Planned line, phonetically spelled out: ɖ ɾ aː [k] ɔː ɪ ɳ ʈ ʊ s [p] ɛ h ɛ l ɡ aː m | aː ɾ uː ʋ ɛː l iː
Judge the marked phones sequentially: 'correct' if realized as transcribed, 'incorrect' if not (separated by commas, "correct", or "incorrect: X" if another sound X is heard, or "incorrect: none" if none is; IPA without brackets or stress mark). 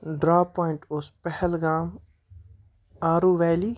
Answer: incorrect: p, correct